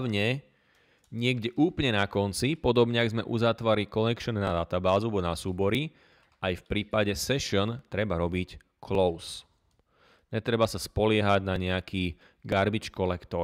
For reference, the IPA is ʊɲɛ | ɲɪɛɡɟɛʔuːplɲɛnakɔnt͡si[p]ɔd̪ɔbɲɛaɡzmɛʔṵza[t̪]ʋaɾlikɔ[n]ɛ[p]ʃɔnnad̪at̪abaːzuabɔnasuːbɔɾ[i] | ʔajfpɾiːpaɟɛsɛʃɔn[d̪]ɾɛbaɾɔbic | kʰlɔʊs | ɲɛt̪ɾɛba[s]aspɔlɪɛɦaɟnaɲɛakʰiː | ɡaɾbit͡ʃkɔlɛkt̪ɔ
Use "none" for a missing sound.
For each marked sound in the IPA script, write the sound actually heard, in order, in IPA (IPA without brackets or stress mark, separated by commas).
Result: p, t̪, n, k, i, t̪, s